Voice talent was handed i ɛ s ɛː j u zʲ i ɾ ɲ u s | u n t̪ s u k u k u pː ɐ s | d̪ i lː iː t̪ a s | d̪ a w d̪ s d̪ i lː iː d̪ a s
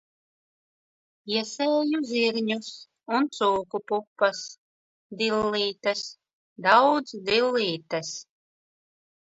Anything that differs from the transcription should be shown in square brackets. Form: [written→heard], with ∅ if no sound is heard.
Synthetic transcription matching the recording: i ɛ s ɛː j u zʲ i ɾ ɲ u s | u n t̪ s [u→uː] k u [k→p] u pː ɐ s | d̪ i lː iː t̪ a s | d̪ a w d̪ [s→z] d̪ i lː iː [d̪→t̪] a s